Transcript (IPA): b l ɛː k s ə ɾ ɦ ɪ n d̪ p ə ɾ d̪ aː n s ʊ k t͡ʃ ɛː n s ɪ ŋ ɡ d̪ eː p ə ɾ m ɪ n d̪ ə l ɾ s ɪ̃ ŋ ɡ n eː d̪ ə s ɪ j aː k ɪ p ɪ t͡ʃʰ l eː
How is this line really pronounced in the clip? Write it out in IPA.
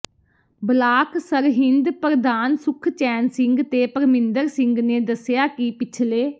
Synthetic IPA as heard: b l aː k s ə ɾ ɦ ɪ n d̪ p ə ɾ d̪ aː n s ʊ kʰ t͡ʃ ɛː n s ɪ ŋ ɡ t̪ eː p ə ɾ m ɪ n d̪ ə ɾ s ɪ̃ ŋ ɡ n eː d̪ ə s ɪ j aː k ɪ p ɪ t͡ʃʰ l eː